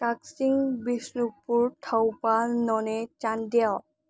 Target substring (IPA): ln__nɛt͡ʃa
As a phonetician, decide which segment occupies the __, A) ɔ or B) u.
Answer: A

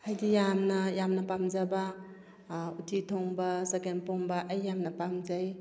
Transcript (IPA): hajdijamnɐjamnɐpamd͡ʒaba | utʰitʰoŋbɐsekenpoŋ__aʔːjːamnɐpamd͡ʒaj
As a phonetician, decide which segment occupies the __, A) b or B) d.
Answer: A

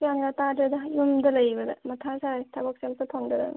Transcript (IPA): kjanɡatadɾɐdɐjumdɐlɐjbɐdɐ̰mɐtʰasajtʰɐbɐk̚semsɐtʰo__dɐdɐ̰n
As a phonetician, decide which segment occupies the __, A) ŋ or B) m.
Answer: A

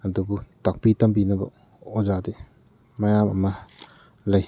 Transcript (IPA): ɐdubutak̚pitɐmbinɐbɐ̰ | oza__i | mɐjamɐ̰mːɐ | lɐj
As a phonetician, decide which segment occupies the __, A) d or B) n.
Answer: A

